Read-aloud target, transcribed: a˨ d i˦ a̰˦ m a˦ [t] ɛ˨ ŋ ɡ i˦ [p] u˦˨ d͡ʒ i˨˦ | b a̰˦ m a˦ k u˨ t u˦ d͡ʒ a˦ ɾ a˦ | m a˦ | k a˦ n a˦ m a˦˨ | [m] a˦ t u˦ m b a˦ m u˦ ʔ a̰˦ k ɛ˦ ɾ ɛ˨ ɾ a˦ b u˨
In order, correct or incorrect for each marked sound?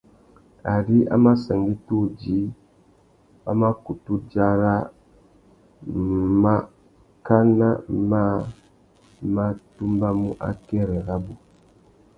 incorrect, incorrect, correct

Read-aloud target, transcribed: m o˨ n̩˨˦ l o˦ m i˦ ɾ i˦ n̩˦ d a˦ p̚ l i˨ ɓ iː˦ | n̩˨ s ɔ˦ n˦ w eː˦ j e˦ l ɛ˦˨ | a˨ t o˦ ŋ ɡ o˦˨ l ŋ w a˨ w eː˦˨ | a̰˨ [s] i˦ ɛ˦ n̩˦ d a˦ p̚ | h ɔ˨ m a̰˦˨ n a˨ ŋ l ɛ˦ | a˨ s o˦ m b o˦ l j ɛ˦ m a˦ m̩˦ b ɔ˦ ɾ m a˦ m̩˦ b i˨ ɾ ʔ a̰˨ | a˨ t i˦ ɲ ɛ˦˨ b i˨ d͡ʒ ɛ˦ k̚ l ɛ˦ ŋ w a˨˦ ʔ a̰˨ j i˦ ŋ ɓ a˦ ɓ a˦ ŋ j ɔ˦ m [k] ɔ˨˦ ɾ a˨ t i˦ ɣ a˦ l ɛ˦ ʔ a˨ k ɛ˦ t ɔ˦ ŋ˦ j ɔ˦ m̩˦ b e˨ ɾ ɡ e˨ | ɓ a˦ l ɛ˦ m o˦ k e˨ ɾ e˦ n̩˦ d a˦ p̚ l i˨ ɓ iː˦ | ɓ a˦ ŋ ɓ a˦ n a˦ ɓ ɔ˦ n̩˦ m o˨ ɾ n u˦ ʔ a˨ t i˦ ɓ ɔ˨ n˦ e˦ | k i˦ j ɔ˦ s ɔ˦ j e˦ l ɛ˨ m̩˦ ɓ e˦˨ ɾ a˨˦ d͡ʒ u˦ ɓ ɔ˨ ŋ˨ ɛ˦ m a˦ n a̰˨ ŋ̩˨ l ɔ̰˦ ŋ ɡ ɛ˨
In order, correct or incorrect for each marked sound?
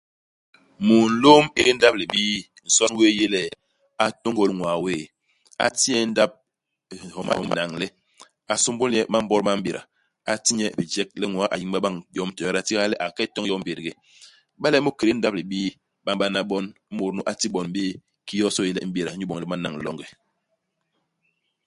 incorrect, incorrect

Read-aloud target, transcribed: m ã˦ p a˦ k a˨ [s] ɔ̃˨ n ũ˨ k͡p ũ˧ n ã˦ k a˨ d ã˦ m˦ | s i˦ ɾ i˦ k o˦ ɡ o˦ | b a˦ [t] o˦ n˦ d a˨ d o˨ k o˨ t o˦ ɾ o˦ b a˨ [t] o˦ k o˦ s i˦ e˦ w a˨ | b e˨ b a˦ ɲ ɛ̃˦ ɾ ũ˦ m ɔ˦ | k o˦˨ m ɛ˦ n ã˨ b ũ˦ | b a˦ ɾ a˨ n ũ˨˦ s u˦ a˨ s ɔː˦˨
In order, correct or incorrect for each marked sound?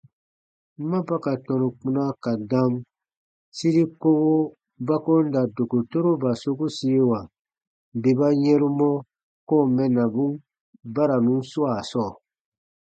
incorrect, incorrect, incorrect

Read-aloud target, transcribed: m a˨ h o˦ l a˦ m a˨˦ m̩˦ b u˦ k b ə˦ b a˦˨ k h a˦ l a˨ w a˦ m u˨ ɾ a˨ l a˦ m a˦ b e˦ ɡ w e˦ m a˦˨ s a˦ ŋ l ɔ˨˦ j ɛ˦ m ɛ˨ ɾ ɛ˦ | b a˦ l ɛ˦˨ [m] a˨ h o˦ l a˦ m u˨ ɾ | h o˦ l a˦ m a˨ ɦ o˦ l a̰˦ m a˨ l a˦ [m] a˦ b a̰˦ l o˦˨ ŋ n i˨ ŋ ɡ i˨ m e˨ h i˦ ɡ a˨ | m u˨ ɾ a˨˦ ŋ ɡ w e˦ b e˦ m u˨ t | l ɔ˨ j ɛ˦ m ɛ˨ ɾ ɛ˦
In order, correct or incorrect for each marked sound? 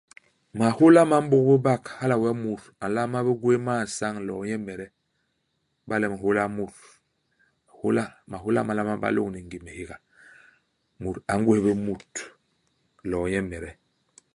correct, correct

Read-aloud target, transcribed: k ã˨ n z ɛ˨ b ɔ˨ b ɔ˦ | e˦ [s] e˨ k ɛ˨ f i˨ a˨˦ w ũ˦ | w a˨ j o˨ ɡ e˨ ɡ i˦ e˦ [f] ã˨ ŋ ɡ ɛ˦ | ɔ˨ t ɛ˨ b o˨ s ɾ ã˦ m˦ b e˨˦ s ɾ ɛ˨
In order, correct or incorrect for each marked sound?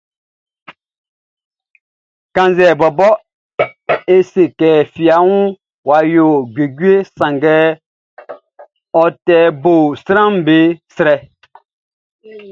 correct, incorrect

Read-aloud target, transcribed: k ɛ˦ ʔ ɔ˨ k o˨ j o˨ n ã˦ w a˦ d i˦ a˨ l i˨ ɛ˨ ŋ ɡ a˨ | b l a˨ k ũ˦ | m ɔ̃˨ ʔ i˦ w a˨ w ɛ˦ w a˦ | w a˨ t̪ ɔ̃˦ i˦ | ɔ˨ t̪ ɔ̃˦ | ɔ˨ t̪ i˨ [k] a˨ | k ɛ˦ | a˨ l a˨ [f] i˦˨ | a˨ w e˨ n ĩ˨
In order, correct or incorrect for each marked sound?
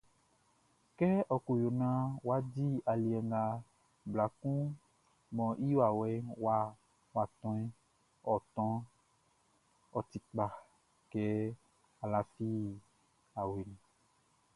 incorrect, correct

